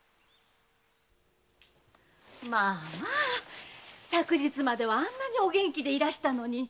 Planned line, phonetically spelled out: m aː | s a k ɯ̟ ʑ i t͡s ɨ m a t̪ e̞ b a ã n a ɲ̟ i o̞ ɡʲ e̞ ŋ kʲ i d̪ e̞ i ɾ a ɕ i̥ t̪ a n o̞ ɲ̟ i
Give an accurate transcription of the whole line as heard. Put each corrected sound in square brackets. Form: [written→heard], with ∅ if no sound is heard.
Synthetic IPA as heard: m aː | s a k ɯ̟ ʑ i t͡s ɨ m a [t̪→d̪] e̞ [b→β] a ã [n→nː] a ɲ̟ i o̞ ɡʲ [e̞→ẽ̞] ŋ kʲ i d̪ e̞ i ɾ a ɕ i̥ t̪ a n o̞ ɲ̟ i

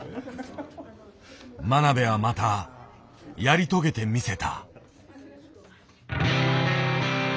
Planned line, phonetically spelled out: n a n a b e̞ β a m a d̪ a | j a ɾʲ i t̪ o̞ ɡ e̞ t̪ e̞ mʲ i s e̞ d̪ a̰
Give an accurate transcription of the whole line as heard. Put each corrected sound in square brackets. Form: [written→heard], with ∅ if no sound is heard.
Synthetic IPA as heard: [n→m] a n a b e̞ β a m a [d̪→t̪] a | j a ɾʲ i t̪ o̞ ɡ e̞ t̪ e̞ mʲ i s e̞ [d̪→t̪] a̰

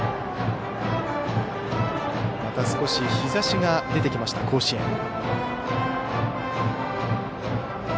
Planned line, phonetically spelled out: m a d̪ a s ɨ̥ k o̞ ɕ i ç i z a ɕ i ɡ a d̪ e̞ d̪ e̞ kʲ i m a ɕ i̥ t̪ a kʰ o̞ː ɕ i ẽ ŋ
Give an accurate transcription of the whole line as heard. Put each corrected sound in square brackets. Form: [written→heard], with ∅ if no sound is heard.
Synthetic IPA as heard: m a [d̪→t̪] a s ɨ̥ k o̞ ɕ i ç i z a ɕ i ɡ a d̪ e̞ [d̪→t̪] e̞ kʲ i m a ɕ i̥ t̪ a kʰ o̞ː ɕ i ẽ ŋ

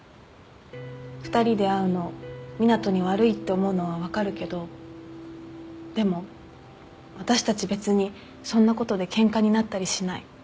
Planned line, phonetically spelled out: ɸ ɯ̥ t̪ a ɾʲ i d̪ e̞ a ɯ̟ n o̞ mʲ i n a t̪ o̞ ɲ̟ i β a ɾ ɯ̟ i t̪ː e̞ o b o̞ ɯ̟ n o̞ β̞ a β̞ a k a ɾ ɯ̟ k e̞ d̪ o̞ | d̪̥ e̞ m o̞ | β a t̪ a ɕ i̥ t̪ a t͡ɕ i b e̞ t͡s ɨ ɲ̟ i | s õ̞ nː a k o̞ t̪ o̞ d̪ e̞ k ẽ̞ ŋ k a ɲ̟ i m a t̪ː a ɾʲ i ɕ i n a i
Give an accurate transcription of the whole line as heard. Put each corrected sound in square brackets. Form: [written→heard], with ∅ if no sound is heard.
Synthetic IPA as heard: ɸ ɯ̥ t̪ a ɾʲ i d̪ e̞ a ɯ̟ n o̞ mʲ i n a t̪ o̞ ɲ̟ i β a ɾ ɯ̟ i t̪ː e̞ o [b→m] o̞ ɯ̟ n o̞ β̞ a β̞ a k a ɾ ɯ̟ k e̞ d̪ o̞ | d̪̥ e̞ m o̞ | β a t̪ a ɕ i̥ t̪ a t͡ɕ i b e̞ t͡s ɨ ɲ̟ i | s õ̞ nː a k o̞ t̪ o̞ d̪ e̞ k ẽ̞ ŋ k a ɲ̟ i [m→n] a t̪ː a ɾʲ i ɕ i n a i

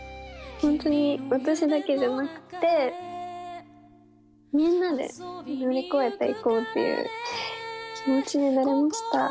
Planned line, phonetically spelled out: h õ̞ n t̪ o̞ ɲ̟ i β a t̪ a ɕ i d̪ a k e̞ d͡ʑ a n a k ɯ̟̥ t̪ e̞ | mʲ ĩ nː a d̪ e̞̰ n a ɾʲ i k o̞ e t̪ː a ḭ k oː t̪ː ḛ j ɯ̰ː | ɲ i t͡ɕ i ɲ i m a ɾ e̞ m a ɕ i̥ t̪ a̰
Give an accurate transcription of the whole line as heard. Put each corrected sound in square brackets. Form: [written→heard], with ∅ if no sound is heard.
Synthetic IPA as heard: h õ̞ n t̪ o̞ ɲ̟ i β a t̪ a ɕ i d̪ a k e̞ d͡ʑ a n a k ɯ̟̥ t̪ e̞ | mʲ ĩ nː a d̪ e̞̰ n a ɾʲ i k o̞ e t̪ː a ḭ k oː t̪ː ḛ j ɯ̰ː | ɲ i t͡ɕ i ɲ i [m→n] a ɾ e̞ m a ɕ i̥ t̪ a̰

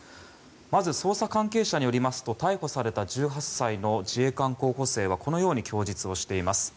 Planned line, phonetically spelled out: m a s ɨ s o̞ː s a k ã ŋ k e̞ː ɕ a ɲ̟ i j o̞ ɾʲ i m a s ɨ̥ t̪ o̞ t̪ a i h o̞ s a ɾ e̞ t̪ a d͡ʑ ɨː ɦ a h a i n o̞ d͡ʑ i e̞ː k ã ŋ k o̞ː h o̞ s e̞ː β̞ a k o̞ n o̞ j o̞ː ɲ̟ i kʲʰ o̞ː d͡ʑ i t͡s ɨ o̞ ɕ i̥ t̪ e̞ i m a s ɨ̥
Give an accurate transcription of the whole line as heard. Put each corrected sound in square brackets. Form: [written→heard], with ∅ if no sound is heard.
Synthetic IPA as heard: m a [s→z] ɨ s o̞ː s a k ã ŋ k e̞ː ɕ a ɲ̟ i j o̞ ɾʲ i m a s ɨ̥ t̪ o̞ t̪ a i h o̞ s a ɾ e̞ t̪ a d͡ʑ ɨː ɦ a [h→s] a i n o̞ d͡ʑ i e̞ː k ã ŋ k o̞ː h o̞ s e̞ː β̞ a k o̞ n o̞ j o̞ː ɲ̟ i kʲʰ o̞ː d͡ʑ i t͡s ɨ o̞ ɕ i̥ t̪ e̞ i m a s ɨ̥

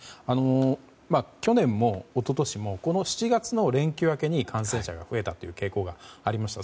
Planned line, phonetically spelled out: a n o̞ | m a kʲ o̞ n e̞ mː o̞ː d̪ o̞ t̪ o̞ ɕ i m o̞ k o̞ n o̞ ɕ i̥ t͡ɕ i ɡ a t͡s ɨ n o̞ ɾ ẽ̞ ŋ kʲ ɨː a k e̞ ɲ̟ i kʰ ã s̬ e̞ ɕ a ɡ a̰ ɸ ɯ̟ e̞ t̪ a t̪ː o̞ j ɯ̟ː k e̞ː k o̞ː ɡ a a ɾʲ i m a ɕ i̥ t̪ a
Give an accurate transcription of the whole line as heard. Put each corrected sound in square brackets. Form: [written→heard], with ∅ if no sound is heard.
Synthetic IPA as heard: a n o̞ | m a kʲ o̞ n [e̞→ẽ̞] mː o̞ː [d̪→t̪] o̞ t̪ o̞ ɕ i m o̞ k o̞ n o̞ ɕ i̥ t͡ɕ i ɡ a t͡s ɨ n o̞ ɾ ẽ̞ ŋ kʲ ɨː a k e̞ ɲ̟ i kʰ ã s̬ [e̞→ẽ̞] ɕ a ɡ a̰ ɸ ɯ̟ e̞ t̪ a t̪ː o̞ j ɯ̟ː k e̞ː k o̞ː ɡ a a ɾʲ i m a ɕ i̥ t̪ a

